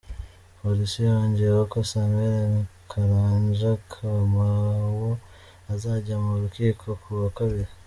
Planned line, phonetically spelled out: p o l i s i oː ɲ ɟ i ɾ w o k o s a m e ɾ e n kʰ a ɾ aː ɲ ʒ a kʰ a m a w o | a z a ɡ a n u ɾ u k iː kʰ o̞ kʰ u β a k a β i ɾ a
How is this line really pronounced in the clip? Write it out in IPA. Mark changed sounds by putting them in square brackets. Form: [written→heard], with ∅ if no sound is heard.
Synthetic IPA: p o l i s i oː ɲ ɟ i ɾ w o k o s a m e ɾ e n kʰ a ɾ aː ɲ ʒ a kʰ a m a w o | a z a [ɡ→ɟ] a [n→m] u ɾ u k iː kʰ o̞ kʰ u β a k a β i ɾ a